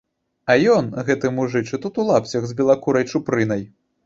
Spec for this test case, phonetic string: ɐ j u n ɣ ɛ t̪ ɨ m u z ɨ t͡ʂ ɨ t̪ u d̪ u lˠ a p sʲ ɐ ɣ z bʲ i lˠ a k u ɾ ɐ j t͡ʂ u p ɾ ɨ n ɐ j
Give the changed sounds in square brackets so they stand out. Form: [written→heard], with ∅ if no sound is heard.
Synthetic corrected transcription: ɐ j [u→ɔ] n ɣ ɛ t̪ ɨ m u [z→ʐ] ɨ t͡ʂ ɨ t̪ u [d̪→t̪] u lˠ a p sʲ ɐ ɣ z bʲ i lˠ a k u ɾ ɐ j t͡ʂ u p ɾ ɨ n ɐ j